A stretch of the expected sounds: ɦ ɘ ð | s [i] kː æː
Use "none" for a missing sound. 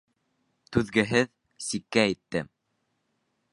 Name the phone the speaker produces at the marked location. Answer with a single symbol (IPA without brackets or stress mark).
i